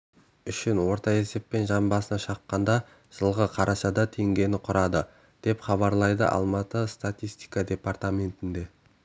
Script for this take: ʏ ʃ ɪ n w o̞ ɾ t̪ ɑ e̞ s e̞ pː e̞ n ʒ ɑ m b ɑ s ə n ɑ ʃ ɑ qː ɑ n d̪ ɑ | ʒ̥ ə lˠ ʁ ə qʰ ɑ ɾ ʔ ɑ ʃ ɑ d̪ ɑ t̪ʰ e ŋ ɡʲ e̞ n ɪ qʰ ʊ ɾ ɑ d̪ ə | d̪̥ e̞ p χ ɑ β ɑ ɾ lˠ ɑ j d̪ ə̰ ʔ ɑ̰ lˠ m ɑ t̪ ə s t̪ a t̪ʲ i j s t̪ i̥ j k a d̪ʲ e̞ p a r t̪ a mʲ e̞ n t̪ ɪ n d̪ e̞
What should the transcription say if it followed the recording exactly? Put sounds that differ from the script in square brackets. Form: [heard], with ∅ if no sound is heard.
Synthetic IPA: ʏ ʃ ɪ n w o̞ ɾ t̪ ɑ e̞ s e̞ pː e̞ n ʒ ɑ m b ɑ s ə n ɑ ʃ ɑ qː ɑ n d̪ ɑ | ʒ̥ ə lˠ ʁ ə qʰ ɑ ɾ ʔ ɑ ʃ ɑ d̪ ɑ t̪ʰ e ŋ ɡʲ e̞ n ɪ qʰ ʊ ɾ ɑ d̪ ə | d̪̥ e̞ p χ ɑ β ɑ ɾ lˠ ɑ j d̪ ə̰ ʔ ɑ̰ lˠ m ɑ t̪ ə s t̪ a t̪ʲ i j s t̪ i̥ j k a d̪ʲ e̞ p a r t̪ a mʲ e̞ n t̪ ɪ n d̪ e̞